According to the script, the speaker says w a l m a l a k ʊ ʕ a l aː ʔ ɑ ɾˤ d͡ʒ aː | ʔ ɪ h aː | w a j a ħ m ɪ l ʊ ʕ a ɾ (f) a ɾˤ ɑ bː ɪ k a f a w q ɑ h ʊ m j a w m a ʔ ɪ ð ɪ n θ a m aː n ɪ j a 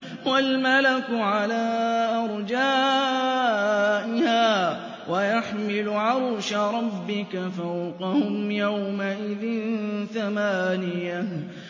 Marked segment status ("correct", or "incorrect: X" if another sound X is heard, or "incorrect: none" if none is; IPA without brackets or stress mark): incorrect: ʃ